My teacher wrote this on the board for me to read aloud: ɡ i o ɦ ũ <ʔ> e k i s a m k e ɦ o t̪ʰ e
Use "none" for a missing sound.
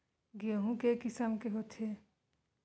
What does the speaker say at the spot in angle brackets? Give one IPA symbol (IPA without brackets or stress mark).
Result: k